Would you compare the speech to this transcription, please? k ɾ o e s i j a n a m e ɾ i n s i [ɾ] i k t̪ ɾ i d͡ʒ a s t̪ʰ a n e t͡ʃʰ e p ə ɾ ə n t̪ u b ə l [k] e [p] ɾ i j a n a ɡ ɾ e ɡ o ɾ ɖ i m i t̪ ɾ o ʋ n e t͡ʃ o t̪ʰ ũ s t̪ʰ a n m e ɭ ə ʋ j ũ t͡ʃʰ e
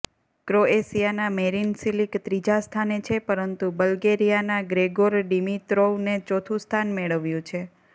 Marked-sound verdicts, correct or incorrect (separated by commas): incorrect, incorrect, incorrect